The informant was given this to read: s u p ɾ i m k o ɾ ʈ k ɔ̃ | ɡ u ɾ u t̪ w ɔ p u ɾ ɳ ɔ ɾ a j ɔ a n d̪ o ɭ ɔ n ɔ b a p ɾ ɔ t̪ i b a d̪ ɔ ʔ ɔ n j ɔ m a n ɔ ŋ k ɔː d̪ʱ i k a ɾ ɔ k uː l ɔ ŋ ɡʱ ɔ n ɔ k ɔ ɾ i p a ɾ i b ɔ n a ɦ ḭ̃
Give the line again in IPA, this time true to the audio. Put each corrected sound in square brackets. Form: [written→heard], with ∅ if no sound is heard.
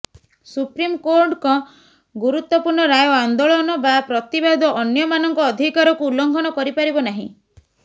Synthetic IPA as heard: s u p ɾ i m k o ɾ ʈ k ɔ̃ | ɡ u ɾ u t̪ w ɔ p u ɾ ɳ ɔ ɾ a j ɔ a n d̪ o ɭ ɔ n ɔ b a p ɾ ɔ t̪ i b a d̪ ɔ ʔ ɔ n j ɔ m a n ɔ ŋ k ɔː d̪ʱ i k a ɾ ɔ k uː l ɔ ŋ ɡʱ ɔ n ɔ k ɔ ɾ i p a ɾ i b ɔ n a ɦ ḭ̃